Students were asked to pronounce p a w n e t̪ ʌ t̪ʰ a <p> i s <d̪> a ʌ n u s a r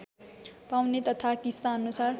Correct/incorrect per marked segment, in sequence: incorrect, incorrect

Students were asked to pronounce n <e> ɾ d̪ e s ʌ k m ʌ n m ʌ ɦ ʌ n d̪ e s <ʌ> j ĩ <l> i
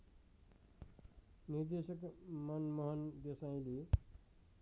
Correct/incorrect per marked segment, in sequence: incorrect, incorrect, correct

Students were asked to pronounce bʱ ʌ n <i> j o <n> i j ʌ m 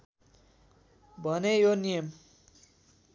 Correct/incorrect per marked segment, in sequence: incorrect, correct

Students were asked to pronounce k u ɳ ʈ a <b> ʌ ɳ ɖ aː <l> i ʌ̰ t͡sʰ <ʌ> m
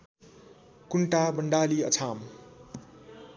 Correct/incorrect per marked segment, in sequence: correct, correct, incorrect

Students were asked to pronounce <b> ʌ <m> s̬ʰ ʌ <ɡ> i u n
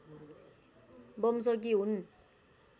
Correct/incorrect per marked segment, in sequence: correct, correct, correct

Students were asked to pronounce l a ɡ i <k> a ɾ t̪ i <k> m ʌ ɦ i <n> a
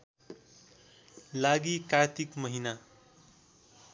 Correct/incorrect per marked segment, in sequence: correct, correct, correct

